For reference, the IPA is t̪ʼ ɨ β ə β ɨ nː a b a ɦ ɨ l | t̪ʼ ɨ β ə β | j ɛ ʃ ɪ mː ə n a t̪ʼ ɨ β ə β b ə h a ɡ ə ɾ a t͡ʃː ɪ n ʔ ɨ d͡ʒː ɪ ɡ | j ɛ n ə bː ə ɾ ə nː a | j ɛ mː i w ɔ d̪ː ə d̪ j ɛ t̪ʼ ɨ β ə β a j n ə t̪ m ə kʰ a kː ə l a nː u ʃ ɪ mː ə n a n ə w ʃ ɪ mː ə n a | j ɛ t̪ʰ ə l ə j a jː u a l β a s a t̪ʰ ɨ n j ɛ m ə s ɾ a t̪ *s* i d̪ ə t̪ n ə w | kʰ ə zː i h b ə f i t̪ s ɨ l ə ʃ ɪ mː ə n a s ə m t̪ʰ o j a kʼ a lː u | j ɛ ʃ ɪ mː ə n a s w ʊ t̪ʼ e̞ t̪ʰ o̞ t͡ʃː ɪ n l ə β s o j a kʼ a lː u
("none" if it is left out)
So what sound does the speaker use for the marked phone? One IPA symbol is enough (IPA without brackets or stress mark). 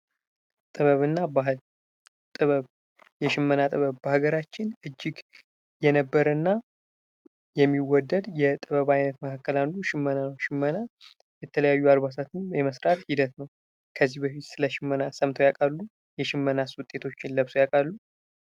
h